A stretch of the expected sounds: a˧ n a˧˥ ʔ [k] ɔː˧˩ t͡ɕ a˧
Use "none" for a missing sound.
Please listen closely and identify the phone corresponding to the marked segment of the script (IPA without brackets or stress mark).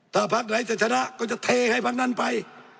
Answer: k